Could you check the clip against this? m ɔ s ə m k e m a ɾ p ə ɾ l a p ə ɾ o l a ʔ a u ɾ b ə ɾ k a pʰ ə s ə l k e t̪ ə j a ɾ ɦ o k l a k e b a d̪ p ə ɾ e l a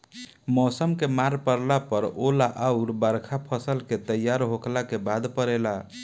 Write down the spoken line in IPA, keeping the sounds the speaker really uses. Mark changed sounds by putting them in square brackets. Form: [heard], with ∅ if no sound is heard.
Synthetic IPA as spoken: m ɔ s ə m k e m a ɾ p ə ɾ l a p ə ɾ o l a ʔ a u ɾ b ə ɾ [kʰ] a pʰ ə s ə l k e t̪ ə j a ɾ ɦ o k l a k e b a d̪ p ə ɾ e l a